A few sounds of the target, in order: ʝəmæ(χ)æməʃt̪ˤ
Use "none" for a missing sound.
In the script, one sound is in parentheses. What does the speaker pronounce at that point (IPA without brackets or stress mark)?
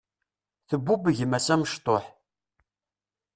s